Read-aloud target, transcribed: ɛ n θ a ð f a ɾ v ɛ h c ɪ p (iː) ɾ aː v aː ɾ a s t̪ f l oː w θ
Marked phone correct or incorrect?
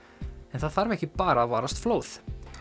incorrect